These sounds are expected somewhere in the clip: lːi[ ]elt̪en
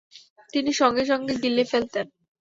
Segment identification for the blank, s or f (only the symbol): f